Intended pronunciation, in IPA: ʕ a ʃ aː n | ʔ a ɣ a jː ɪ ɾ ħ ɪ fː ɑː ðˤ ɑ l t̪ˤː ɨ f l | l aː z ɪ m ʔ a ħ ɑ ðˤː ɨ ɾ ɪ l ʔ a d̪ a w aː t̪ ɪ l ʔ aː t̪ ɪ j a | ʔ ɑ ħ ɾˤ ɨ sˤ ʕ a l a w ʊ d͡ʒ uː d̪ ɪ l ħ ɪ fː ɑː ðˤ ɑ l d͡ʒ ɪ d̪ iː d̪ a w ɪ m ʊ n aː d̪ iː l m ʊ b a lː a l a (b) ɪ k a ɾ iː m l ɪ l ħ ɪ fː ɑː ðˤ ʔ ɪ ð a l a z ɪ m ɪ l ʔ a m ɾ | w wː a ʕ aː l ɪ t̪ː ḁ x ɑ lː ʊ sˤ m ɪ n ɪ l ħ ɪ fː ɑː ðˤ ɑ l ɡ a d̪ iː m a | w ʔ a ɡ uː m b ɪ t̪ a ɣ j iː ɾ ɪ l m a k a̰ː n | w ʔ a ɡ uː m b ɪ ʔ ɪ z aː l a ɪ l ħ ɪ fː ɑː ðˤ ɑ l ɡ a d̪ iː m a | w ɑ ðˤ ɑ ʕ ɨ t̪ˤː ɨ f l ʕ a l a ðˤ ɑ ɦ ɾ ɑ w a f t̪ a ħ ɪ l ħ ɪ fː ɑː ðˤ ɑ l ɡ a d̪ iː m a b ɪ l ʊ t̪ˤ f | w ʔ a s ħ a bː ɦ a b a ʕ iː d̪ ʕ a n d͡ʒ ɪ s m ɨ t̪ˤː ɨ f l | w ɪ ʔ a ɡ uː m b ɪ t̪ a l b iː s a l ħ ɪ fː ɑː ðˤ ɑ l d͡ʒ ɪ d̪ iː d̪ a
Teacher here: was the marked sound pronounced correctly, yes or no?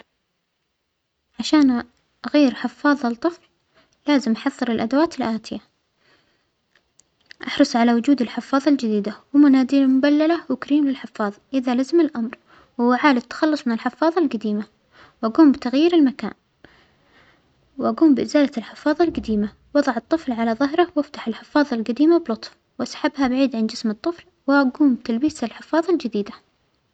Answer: no